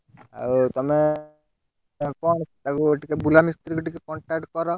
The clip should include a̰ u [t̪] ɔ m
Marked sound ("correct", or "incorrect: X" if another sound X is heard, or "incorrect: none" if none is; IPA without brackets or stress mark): correct